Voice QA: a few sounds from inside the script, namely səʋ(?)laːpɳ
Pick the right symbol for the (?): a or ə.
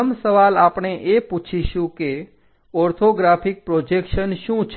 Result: a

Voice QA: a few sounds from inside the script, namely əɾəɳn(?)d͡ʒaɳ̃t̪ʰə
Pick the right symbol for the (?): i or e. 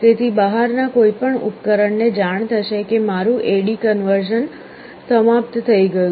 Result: e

